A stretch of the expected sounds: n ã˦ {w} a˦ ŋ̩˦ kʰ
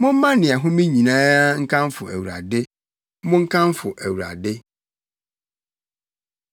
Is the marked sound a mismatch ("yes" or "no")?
yes